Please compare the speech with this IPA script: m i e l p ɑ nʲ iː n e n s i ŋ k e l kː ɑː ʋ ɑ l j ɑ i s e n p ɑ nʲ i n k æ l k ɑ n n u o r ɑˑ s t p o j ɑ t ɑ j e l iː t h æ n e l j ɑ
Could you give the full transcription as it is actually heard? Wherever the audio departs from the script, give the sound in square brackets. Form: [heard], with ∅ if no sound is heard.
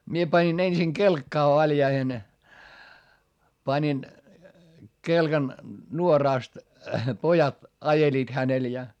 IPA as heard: m i e [∅] p ɑ nʲ [i] n e n s i ŋ k e l kː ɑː ʋ ɑ l j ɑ i [h] e n p ɑ nʲ i n k [e] l k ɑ n n u o r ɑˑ s t p o j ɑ t ɑ j e l iː t h æ n e l j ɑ